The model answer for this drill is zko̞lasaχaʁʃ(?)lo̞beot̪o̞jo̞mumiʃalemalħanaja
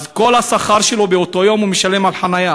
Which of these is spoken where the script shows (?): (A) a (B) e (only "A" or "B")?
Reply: B